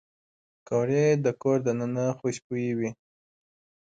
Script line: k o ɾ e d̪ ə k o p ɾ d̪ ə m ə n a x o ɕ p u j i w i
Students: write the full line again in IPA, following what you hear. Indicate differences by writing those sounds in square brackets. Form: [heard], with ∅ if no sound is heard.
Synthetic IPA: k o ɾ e d̪ ə k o [∅] ɾ d̪ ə [n] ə n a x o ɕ p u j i w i

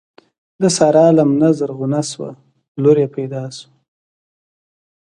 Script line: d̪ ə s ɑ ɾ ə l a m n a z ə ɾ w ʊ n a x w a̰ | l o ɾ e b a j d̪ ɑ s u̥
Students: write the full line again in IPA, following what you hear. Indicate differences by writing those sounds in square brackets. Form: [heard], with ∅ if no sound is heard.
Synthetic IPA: d̪ ə s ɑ ɾ [ɑ] l a m n a z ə ɾ [ɣ] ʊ n a [s] w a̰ | l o ɾ e [p] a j d̪ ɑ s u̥

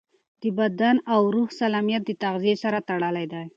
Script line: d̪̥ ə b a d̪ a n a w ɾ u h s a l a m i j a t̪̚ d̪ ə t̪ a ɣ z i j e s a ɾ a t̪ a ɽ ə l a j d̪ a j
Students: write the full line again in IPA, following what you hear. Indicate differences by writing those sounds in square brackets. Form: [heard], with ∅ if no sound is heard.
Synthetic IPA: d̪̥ ə b a d̪ a n a w ɾ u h s a l a m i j a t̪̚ d̪ ə t̪ a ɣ z i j e s a ɾ a t̪ a ɽ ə l a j d̪ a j

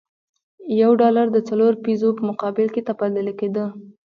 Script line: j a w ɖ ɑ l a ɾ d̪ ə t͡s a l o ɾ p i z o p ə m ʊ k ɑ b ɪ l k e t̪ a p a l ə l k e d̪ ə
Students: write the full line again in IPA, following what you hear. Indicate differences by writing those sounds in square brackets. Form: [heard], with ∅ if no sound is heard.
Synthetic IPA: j a w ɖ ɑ l a ɾ d̪ ə t͡s a l o ɾ p i z o p ə m ʊ [q] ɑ b ɪ l k e t̪ a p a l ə l k e d̪ ə

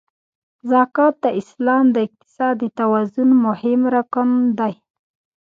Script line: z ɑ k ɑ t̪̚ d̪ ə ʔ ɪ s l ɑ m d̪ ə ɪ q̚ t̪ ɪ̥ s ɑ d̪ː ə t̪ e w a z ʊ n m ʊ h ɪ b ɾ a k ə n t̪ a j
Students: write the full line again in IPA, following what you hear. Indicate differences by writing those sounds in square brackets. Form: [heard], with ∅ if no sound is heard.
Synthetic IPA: z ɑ k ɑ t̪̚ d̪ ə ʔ ɪ s l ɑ m d̪ ə ɪ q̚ t̪ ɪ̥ s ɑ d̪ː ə t̪ [a] w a z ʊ n m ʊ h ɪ [m] ɾ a k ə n [d̪] a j

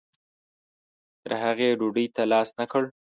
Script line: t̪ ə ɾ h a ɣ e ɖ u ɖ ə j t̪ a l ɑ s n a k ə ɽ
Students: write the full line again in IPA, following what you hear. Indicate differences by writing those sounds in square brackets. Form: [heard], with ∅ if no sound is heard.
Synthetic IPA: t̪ ə ɾ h a ɣ e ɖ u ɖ ə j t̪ a l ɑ s n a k ə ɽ

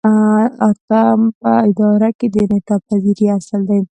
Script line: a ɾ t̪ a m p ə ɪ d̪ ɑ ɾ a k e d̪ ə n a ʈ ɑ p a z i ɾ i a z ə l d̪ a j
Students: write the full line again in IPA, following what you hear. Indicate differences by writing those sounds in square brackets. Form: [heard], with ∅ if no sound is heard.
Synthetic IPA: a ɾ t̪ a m p ə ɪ d̪ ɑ ɾ a k e d̪ ə n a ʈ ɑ p a z i ɾ i a [s] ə l d̪ a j

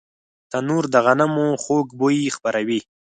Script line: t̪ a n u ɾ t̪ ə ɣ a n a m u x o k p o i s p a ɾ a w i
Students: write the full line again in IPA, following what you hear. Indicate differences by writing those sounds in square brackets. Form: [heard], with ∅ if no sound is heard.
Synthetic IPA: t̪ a n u ɾ [d̪] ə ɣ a n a m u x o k [b] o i [x] p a ɾ a w i

